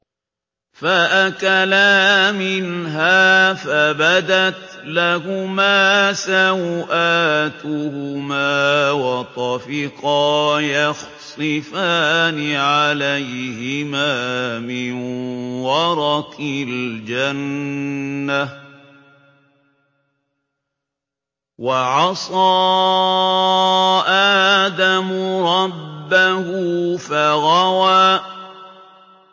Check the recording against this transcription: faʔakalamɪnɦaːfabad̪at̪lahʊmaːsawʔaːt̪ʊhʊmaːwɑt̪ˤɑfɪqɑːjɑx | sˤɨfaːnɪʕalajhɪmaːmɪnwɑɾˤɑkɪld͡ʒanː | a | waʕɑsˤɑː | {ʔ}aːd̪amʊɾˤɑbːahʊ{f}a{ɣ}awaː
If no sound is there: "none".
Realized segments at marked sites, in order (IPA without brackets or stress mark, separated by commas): ʔ, f, ɣ